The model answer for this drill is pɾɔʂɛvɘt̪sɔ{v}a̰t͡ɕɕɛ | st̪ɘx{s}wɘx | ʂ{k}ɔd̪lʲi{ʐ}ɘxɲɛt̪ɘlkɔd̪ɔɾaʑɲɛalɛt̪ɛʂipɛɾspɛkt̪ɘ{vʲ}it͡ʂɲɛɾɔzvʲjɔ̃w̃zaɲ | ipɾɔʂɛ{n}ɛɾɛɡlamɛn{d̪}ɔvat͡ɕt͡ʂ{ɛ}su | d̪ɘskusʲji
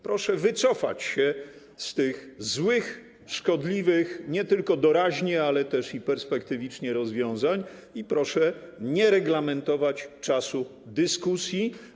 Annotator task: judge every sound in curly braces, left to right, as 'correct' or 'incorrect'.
incorrect: f, incorrect: z, correct, incorrect: v, correct, incorrect: ɲ, incorrect: t̪, incorrect: a

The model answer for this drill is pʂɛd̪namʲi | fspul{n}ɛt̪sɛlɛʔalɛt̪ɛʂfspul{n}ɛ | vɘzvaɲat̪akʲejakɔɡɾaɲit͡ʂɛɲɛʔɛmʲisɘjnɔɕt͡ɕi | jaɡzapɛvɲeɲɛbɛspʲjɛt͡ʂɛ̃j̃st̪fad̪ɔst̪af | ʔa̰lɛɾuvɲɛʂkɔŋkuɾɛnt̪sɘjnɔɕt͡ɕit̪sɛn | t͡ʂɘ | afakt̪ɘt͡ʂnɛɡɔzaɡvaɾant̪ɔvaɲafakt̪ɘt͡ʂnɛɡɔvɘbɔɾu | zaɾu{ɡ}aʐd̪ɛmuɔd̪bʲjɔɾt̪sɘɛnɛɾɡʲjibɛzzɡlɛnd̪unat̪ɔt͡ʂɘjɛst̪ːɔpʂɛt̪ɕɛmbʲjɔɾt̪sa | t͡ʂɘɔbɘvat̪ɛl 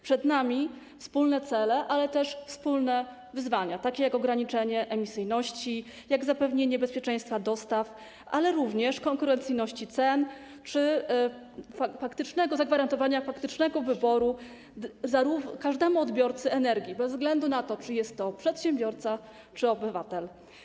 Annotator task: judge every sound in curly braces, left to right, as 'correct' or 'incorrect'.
correct, correct, incorrect: k

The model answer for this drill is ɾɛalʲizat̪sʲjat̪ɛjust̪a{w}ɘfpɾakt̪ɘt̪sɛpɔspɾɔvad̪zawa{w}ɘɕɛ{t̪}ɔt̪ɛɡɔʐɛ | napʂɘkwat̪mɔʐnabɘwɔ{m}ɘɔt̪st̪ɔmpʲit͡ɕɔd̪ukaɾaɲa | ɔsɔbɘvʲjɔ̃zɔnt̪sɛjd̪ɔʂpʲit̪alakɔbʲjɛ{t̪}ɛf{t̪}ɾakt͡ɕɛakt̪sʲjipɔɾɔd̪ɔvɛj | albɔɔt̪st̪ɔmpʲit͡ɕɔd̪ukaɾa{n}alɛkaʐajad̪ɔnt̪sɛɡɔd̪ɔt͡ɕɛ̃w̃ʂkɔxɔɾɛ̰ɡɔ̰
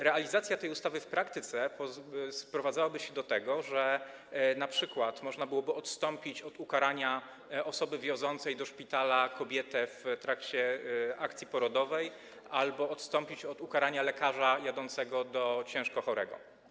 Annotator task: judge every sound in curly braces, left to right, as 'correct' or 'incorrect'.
incorrect: v, incorrect: b, incorrect: d̪, incorrect: b, correct, correct, incorrect: ɲ

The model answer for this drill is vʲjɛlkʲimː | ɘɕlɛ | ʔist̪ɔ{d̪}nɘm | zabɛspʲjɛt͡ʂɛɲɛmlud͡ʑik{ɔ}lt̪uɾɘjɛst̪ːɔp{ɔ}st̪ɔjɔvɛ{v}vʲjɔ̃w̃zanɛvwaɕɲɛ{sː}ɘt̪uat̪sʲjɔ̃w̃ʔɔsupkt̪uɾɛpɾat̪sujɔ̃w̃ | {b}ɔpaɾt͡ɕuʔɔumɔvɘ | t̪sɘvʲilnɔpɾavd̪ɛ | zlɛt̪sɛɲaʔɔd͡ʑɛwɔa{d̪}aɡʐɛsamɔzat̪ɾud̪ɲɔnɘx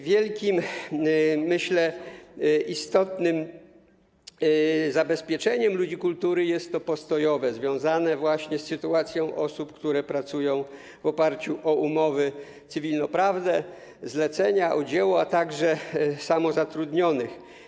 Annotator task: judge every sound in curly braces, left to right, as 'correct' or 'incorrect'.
incorrect: t̪, incorrect: u, correct, incorrect: z, correct, incorrect: v, incorrect: t̪

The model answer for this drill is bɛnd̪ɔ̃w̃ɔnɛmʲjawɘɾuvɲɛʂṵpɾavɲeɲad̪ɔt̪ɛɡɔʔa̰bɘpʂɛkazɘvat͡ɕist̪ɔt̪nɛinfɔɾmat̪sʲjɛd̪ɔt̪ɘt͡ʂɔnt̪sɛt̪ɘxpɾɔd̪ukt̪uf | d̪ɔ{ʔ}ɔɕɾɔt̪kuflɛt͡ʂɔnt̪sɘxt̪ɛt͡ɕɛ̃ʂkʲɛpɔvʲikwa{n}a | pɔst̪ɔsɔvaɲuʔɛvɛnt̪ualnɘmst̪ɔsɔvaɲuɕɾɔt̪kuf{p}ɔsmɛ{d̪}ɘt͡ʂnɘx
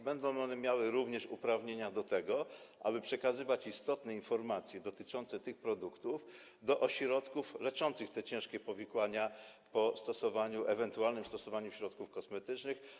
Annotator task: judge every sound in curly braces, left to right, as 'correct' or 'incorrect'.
correct, incorrect: ɲ, incorrect: k, incorrect: t̪

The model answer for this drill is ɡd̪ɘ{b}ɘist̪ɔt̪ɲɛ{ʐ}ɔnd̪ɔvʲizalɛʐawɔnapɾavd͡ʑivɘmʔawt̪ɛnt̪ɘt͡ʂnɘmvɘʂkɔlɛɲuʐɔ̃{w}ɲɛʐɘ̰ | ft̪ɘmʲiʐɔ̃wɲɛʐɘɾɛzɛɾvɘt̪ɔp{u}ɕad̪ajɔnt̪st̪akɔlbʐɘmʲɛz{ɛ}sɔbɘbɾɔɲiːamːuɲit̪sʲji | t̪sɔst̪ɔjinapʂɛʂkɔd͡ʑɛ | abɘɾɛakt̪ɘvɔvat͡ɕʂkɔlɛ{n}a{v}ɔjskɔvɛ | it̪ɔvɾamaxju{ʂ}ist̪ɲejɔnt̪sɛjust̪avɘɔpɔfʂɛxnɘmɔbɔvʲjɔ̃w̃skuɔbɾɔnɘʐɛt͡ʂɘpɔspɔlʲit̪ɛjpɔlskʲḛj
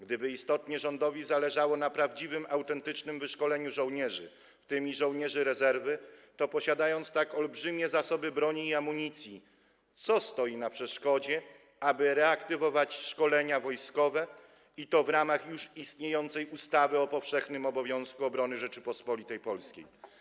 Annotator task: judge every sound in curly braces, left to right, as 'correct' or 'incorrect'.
correct, correct, correct, incorrect: ɔ, incorrect: a, incorrect: ɲ, correct, correct

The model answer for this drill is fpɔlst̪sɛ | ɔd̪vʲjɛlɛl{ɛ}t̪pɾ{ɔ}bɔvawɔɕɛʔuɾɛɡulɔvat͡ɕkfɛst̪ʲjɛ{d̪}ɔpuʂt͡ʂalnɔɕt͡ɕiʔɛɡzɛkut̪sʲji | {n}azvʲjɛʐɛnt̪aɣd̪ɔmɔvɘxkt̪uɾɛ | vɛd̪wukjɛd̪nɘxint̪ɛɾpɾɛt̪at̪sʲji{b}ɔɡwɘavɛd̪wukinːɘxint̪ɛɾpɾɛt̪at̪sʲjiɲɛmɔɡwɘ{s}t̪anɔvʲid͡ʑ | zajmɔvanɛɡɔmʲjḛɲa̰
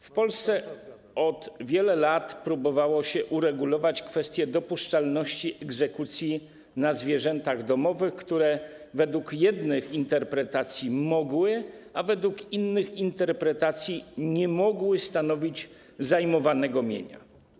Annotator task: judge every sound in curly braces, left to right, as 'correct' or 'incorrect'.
incorrect: a, incorrect: u, correct, correct, incorrect: m, correct

